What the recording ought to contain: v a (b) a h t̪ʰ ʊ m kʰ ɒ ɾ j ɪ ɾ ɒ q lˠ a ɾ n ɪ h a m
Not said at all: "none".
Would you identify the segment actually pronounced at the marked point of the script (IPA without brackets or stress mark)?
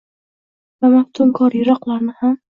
m